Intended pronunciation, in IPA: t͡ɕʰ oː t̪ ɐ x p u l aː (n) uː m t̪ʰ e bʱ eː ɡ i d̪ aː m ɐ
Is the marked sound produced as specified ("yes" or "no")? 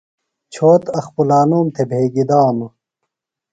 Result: yes